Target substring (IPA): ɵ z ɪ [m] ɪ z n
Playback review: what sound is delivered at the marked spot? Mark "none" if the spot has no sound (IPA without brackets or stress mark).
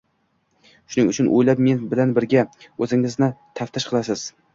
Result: ŋ